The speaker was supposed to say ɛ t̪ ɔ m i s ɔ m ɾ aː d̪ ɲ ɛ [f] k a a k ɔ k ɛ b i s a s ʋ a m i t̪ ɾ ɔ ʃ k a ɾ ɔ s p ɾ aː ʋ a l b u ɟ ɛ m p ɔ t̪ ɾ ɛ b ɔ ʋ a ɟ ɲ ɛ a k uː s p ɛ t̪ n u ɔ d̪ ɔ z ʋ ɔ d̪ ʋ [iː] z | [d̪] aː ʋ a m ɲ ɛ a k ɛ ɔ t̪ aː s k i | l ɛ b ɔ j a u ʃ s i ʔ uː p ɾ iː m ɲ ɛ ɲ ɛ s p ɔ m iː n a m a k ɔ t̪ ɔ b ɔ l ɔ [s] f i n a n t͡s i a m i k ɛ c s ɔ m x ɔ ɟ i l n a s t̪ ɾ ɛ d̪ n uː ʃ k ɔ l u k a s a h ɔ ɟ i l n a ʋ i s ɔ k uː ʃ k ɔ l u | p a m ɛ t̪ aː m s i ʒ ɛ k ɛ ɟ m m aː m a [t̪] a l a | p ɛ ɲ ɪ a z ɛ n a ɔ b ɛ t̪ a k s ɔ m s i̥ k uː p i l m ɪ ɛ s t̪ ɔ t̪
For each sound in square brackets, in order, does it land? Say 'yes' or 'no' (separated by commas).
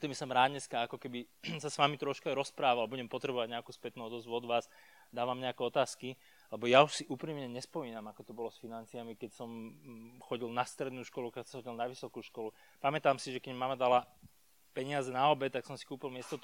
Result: no, no, yes, yes, no